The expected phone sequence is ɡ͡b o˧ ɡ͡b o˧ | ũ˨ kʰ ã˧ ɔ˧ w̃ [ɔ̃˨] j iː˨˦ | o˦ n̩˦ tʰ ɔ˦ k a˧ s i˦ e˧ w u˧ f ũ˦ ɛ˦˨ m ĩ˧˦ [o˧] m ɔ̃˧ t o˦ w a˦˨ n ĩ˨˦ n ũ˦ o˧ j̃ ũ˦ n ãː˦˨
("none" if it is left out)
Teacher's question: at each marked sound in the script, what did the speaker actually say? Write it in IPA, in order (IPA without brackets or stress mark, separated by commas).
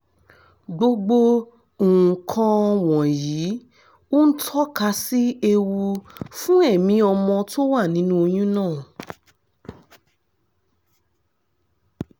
ɔ̃˨, ɔ˧